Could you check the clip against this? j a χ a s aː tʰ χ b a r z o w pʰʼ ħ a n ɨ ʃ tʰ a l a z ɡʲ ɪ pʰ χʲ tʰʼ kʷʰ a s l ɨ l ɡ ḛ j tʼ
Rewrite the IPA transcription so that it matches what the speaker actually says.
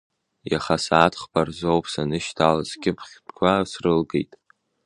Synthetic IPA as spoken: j a χ a s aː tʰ χ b a r z o w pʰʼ s a n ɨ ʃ tʰ a l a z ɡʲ ɪ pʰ χʲ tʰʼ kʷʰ a s r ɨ l ɡ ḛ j tʼ